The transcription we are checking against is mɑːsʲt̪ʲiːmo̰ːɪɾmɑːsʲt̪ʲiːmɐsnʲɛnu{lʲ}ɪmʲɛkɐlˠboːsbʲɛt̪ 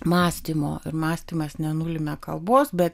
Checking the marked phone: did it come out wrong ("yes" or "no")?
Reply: no